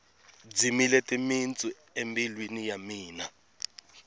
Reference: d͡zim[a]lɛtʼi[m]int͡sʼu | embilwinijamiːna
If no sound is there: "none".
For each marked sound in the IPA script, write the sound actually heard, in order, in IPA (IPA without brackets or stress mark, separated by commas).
i, m